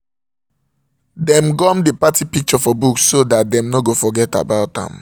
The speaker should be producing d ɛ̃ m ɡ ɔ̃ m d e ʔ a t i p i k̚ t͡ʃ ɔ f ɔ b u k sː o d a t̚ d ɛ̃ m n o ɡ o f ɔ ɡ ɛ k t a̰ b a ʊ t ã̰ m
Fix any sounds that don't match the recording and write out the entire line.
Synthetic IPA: d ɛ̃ m ɡ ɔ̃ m d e p a t i p i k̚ t͡ʃ ɔ f ɔ b u k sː o d a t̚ d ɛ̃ m n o ɡ o f ɔ ɡ ɛ t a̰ b a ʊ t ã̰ m